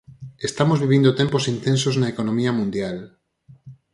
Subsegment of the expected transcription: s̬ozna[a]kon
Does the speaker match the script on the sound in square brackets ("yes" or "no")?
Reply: no